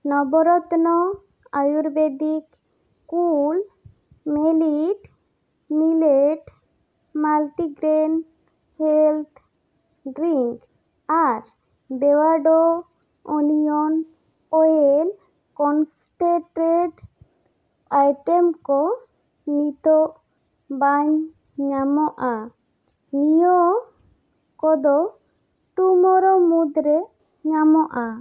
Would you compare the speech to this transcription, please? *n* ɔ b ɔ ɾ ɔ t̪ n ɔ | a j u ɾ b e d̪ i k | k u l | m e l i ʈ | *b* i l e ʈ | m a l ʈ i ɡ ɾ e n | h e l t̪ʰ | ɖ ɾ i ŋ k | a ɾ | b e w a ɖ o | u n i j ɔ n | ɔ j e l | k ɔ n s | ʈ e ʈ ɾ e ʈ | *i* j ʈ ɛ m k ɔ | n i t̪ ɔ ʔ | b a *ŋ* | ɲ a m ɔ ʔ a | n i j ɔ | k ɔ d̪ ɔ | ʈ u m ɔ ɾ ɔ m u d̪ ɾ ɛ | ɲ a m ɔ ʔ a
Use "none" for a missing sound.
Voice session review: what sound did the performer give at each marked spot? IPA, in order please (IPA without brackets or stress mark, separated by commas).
n, m, a, ɲ